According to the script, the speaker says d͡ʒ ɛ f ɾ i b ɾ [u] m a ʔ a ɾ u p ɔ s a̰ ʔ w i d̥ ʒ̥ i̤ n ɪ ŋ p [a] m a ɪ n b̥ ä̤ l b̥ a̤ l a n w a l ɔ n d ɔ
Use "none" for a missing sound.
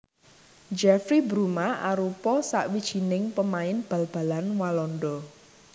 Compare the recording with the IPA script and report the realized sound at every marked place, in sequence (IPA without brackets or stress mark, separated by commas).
u, ə